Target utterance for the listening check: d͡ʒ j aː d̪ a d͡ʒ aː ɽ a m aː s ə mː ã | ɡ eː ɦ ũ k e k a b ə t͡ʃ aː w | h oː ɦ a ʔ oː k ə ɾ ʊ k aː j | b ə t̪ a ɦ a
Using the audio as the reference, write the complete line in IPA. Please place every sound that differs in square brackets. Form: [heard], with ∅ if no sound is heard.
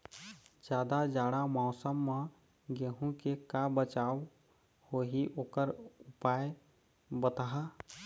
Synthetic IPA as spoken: d͡ʒ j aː d̪ a d͡ʒ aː ɽ a m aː s ə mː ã | ɡ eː ɦ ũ k e k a b ə t͡ʃ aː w | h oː ɦ [i] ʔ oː k ə ɾ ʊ [p] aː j | b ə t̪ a ɦ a